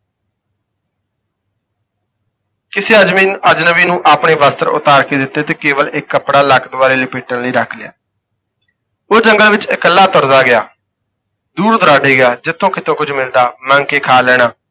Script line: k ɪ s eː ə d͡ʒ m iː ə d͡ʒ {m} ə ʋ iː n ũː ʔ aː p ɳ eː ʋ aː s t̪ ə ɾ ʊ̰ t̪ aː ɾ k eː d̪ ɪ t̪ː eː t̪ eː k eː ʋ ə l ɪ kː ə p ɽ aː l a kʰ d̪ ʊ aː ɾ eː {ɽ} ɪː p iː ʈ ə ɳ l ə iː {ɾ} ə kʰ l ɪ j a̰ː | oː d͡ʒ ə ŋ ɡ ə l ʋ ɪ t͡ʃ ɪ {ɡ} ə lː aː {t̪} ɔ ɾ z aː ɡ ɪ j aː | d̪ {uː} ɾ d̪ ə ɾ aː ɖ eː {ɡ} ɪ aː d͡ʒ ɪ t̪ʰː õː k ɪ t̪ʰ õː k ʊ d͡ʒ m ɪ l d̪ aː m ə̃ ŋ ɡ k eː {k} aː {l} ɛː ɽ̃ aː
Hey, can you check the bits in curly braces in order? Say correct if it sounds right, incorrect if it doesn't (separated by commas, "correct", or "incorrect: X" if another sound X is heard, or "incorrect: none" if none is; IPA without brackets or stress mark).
incorrect: n, incorrect: l, correct, incorrect: k, correct, correct, correct, incorrect: kʰ, correct